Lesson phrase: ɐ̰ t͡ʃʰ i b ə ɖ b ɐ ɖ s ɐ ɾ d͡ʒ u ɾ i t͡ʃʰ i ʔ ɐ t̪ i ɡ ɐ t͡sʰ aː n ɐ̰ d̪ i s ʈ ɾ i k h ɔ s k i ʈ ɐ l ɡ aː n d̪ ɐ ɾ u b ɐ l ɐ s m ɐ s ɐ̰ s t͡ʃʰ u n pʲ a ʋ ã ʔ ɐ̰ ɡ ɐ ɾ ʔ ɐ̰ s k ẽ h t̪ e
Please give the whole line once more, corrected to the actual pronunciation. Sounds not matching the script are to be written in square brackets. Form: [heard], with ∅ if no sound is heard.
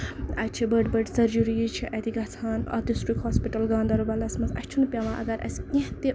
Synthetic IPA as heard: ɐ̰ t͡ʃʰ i b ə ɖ b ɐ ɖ s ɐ ɾ d͡ʒ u ɾ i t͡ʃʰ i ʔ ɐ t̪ i ɡ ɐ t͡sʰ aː n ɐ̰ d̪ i s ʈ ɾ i k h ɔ s [p] i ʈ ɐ l ɡ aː n d̪ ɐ ɾ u b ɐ l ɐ s m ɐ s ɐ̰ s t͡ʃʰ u n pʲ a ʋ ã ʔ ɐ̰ ɡ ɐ ɾ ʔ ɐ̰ s k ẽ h t̪ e

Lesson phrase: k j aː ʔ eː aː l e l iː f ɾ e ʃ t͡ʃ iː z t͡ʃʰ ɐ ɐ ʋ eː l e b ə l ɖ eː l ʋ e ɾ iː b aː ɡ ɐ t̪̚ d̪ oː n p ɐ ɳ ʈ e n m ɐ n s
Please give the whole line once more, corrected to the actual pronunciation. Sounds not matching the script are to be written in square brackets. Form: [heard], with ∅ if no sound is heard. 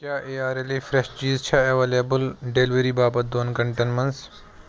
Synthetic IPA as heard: k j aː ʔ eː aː [ɾ] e l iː f ɾ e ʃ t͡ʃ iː z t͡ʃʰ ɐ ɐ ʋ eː l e b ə l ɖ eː l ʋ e ɾ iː b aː [b] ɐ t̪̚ d̪ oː n [k] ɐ ɳ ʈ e n m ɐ n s

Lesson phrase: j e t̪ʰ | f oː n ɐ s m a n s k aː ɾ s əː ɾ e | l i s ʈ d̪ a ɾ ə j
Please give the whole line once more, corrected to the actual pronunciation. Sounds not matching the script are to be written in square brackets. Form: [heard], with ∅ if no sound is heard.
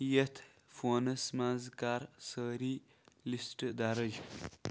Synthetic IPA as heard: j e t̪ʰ | f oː n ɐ s m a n [z] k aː ɾ s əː ɾ [i] | l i s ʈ d̪ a ɾ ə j

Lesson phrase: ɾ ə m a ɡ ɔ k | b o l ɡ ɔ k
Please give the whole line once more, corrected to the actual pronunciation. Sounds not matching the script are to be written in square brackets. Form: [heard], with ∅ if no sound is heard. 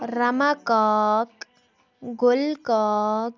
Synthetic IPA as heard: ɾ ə m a [k] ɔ k | [ɡ] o l [k] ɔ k

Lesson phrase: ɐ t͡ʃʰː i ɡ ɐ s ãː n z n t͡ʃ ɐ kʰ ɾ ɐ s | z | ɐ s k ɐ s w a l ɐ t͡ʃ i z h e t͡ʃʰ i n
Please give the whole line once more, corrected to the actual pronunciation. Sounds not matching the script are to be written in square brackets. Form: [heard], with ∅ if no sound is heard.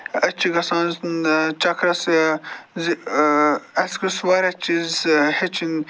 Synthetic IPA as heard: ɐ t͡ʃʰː i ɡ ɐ s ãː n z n t͡ʃ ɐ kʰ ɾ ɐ s | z | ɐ s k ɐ s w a [ɾ] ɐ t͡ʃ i z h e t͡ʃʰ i n

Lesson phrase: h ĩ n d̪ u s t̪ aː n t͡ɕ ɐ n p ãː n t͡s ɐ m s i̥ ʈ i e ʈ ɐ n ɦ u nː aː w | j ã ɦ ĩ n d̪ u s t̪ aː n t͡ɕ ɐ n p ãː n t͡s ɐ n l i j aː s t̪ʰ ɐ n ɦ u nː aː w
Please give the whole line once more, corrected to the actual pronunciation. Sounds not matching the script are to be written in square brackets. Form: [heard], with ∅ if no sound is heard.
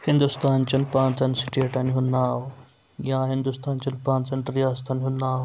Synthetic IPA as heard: h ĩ n d̪ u s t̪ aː n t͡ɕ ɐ n p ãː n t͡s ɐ [n] s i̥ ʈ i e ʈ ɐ n ɦ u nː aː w | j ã ɦ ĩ n d̪ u s t̪ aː n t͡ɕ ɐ n p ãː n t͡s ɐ n [ɾ] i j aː s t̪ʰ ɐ n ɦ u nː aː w

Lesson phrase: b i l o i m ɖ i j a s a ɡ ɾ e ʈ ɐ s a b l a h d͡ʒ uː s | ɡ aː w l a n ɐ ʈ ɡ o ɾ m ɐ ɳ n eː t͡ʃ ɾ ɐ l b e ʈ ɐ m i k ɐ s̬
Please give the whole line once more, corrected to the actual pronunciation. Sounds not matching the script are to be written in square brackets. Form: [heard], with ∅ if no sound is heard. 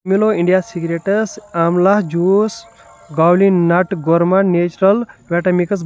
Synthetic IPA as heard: [m] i l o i [ɳ] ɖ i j a s [i] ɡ ɾ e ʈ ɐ s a [m] l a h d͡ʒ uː s | ɡ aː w l [i] n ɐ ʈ ɡ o ɾ m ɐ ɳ n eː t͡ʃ ɾ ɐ l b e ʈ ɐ m i k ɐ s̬

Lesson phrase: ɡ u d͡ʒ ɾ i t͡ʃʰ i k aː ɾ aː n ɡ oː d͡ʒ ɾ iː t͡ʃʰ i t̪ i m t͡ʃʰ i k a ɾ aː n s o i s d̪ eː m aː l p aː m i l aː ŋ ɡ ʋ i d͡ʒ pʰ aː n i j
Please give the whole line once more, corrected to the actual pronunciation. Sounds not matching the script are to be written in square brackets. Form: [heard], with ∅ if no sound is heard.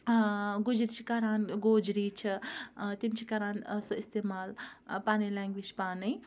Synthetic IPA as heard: ɡ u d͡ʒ ɾ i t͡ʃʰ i k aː ɾ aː n ɡ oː d͡ʒ ɾ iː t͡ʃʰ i t̪ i m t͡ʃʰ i k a ɾ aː n s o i s [t̪] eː m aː l p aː [n] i l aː ŋ ɡ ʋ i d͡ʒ [p] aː n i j

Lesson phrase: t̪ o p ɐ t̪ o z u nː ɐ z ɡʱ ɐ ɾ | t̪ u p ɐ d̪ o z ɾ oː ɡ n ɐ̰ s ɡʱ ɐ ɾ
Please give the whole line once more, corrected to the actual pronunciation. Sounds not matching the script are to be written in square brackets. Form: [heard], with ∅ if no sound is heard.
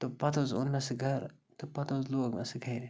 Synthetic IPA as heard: t̪ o p ɐ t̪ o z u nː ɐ [s] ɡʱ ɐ ɾ | t̪ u p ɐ [t̪] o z [l] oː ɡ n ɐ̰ s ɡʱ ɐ ɾ

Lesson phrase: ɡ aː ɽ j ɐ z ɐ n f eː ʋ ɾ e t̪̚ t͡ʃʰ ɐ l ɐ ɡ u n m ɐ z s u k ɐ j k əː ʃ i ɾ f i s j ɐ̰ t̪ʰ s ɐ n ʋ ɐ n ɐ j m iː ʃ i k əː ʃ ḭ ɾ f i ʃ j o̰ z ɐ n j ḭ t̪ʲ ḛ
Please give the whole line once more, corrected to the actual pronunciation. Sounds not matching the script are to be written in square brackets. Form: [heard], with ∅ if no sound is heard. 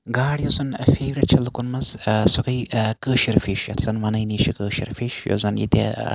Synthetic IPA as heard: ɡ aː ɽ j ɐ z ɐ n f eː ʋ ɾ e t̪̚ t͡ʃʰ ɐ l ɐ [k] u n m ɐ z s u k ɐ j k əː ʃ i ɾ f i [ʃ] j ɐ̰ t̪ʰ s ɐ n ʋ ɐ n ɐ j [n] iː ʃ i k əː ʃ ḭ ɾ f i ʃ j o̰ z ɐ n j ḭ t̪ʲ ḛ

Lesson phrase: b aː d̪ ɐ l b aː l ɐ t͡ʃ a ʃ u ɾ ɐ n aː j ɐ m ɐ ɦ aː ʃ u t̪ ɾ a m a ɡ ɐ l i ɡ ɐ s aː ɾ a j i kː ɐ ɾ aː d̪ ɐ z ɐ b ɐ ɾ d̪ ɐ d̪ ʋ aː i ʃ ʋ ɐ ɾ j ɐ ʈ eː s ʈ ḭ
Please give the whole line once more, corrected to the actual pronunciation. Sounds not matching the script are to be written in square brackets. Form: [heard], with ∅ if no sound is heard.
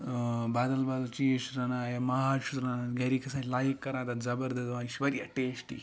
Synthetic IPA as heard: b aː d̪ ɐ l b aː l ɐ t͡ʃ [i] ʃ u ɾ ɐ n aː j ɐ m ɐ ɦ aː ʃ u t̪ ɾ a [n] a ɡ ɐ [ɾ] i [k] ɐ s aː [l] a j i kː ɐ ɾ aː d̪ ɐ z ɐ b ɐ ɾ d̪ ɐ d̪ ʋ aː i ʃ ʋ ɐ ɾ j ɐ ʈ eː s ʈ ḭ

